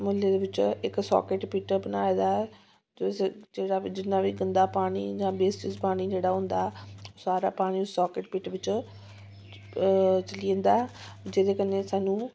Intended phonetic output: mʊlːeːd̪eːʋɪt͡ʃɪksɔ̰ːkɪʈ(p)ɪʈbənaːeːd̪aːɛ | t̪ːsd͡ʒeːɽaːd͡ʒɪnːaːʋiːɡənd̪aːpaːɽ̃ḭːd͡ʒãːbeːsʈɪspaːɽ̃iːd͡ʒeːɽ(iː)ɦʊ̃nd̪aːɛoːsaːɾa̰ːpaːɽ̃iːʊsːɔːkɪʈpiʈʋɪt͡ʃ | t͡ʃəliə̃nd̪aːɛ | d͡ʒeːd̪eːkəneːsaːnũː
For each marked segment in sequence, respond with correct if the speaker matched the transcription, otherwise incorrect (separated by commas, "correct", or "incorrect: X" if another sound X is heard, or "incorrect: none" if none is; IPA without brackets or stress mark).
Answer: correct, incorrect: aː